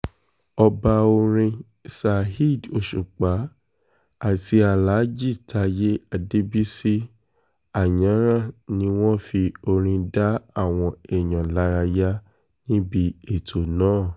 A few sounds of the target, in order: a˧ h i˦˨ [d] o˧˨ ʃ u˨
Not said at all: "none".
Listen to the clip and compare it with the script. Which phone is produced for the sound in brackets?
d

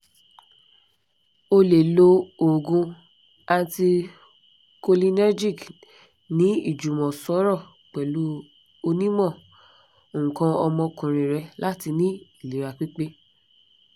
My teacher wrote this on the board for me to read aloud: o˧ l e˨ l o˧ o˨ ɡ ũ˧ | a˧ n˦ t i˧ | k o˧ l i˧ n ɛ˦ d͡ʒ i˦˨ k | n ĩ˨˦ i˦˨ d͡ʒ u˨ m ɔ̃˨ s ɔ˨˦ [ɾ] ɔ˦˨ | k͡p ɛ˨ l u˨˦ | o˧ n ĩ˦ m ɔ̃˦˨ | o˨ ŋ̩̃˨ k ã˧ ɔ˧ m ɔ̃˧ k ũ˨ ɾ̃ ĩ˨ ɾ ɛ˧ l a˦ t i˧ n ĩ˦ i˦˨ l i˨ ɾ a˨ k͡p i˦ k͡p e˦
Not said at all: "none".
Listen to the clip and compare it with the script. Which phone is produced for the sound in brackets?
ɾ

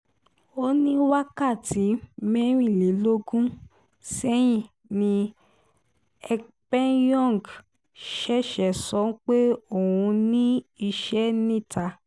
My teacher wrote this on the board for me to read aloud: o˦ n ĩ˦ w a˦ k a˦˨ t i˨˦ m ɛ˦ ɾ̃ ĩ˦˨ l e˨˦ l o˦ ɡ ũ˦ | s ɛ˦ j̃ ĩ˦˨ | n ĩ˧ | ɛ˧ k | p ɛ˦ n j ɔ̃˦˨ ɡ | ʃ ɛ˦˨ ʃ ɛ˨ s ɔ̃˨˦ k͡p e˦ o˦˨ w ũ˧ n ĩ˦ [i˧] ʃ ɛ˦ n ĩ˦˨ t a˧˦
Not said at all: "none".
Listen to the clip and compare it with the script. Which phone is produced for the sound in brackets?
i˧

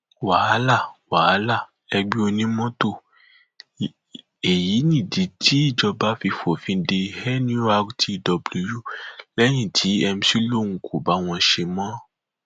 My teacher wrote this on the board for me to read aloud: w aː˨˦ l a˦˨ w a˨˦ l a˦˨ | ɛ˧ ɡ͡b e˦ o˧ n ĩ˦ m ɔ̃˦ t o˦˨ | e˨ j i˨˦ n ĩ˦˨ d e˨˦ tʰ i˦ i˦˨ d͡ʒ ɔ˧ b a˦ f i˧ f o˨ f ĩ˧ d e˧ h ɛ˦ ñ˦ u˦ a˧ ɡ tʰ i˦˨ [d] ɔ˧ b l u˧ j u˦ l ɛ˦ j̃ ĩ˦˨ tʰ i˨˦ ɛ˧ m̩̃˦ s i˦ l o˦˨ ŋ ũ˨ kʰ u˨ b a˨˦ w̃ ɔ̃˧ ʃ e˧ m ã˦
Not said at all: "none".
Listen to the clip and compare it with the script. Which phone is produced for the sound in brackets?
d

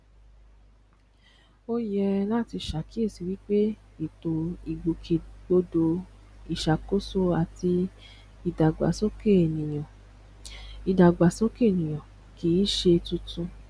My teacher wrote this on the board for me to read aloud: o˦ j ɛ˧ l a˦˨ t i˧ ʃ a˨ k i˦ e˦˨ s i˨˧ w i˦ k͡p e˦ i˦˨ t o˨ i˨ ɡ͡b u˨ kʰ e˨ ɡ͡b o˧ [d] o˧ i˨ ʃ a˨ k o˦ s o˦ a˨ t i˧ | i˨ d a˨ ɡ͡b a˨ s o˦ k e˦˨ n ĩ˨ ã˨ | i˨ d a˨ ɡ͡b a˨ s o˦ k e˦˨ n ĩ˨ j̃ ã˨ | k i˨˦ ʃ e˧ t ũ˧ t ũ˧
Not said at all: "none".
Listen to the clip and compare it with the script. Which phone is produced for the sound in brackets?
d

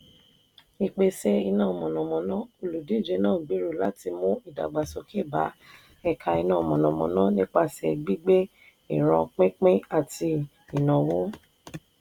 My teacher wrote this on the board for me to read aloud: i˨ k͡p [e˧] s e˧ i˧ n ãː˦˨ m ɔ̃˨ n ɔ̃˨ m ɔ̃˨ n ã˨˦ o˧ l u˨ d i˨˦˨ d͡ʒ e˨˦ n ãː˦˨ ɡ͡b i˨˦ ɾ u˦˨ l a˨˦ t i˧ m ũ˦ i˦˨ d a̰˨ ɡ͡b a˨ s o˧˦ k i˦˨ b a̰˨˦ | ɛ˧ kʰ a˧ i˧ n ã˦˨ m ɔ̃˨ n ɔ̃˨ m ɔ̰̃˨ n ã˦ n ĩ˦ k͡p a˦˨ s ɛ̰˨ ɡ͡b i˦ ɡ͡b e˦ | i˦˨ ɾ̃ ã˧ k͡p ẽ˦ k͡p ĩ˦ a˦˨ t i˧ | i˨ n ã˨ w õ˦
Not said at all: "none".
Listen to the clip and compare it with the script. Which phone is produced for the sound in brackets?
e˧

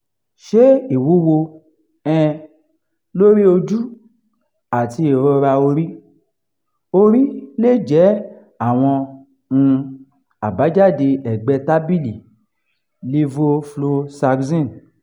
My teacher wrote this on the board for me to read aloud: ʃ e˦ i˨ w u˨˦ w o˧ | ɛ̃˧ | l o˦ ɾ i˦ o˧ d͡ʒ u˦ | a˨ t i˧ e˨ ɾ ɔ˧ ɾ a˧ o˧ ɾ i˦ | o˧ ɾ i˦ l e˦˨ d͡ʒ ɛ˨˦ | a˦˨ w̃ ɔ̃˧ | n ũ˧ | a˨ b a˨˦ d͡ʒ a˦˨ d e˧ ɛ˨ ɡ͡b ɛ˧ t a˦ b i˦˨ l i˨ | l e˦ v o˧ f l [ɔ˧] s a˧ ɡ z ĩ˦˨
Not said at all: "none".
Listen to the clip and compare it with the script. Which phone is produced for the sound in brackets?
o˧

